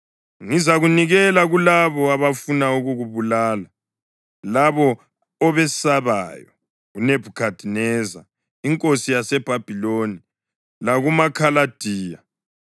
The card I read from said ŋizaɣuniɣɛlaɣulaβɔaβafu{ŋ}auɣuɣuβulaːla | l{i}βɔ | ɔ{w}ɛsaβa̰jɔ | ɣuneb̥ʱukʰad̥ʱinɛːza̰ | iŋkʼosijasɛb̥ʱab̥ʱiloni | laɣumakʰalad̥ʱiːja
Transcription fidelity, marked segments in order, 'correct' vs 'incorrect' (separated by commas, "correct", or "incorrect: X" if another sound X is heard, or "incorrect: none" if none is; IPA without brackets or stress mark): incorrect: n, incorrect: a, incorrect: β